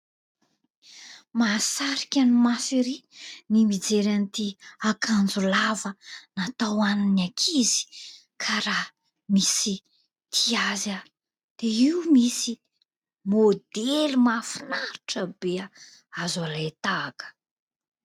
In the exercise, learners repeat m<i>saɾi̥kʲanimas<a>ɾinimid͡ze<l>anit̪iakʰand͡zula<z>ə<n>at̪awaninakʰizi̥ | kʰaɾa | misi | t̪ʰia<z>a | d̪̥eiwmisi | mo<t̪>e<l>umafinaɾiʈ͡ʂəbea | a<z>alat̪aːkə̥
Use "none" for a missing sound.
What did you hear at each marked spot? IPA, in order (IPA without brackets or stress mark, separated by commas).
a, i, ɾ, v, n, z, d̪, l, z